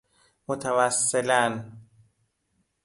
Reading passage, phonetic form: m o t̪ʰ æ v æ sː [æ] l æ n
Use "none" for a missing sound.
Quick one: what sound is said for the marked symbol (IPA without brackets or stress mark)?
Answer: e